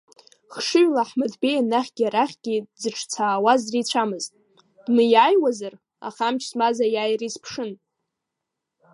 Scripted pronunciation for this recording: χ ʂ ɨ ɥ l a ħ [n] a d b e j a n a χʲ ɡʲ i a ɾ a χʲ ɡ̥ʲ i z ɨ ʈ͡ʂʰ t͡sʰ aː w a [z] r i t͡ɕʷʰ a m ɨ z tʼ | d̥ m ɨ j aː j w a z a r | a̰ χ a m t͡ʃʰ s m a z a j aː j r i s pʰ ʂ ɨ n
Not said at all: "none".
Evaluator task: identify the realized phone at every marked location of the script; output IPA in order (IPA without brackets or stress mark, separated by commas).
m, z